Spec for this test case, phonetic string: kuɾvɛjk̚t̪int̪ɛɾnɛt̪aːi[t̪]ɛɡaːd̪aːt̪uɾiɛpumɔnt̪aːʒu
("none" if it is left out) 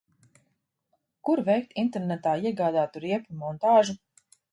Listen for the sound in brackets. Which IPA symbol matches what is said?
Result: none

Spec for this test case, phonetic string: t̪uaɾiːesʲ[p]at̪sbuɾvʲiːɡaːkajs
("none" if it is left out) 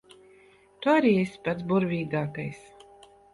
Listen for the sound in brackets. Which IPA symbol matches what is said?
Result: p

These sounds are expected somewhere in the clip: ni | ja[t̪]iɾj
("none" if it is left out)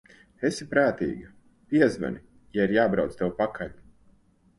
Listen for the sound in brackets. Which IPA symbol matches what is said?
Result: none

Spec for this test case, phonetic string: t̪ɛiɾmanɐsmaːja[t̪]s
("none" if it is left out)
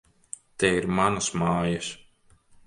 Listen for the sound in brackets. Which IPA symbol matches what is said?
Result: none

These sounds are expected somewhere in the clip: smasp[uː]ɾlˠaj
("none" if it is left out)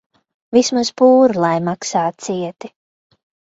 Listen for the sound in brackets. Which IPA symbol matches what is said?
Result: uː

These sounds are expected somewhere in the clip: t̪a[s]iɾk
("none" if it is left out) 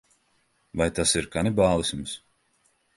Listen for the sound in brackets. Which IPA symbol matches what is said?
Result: s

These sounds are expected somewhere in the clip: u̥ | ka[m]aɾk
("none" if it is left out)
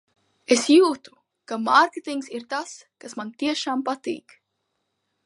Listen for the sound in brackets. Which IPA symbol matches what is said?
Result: m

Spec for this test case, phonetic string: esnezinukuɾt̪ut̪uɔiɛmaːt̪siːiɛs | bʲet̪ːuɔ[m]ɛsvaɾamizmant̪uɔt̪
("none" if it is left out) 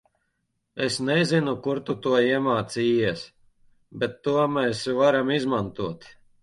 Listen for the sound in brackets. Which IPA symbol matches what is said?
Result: m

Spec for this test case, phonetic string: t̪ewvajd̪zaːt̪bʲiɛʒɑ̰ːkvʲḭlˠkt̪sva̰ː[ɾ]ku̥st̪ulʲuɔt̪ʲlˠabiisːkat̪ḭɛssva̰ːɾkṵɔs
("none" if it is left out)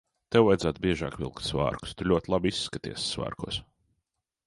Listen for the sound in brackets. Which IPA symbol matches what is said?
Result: ɾ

